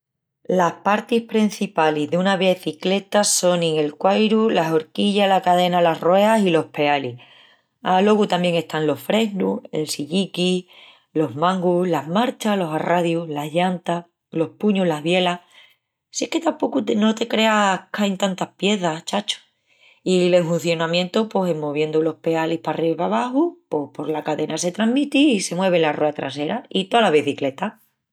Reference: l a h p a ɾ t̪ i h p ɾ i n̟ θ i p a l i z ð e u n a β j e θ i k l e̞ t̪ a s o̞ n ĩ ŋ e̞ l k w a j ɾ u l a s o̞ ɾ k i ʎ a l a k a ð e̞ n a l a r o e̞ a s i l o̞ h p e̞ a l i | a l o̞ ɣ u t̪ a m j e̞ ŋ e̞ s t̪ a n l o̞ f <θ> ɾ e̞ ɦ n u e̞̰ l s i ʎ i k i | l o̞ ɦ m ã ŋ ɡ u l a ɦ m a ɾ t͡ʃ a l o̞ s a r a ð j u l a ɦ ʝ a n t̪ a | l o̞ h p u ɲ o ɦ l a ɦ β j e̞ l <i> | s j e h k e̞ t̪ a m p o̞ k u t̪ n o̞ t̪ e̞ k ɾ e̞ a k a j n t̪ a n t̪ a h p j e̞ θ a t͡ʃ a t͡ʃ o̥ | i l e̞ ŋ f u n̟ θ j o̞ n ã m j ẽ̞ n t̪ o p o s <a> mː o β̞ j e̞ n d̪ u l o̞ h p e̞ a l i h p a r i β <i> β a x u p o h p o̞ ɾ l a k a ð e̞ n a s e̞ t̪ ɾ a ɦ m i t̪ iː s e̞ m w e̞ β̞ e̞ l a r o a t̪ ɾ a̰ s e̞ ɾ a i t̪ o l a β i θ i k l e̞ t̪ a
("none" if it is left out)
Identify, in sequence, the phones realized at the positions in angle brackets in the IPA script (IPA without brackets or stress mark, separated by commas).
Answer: f, a, e, a